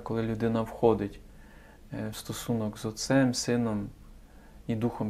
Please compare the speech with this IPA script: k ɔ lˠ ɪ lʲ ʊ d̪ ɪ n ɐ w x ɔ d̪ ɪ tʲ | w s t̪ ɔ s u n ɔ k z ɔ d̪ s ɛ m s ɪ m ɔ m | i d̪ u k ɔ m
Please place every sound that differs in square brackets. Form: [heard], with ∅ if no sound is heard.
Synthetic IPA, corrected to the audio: k ɔ lˠ ɪ lʲ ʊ d̪ ɪ n ɐ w x ɔ d̪ ɪ tʲ | w s t̪ ɔ s u n ɔ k z ɔ [t̪] s ɛ m s ɪ [n] ɔ m | i d̪ u [x] ɔ m